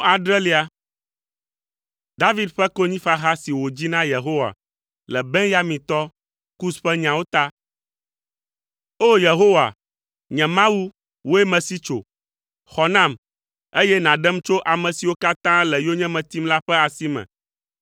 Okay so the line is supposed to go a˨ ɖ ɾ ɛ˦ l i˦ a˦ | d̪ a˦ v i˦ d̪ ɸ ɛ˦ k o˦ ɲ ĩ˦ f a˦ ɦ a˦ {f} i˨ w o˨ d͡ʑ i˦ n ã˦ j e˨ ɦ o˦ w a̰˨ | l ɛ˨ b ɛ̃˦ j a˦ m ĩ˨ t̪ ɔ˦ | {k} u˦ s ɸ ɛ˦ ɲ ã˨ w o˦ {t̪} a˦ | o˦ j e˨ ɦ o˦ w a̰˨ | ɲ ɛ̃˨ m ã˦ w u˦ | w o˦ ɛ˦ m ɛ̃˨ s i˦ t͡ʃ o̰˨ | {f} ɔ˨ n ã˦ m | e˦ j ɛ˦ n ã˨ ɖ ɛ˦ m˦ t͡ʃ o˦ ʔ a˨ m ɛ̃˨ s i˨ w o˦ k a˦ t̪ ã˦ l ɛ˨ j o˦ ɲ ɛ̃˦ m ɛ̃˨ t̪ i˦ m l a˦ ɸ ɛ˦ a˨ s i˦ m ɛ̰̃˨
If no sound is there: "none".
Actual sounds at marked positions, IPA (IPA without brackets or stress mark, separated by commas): s, k, t̪, x